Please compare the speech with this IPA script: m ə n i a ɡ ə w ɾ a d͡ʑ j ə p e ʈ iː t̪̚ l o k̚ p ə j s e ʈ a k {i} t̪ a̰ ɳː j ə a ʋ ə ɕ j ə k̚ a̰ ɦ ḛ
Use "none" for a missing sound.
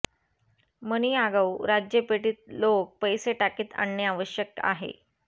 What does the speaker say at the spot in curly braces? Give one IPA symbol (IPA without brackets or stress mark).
iː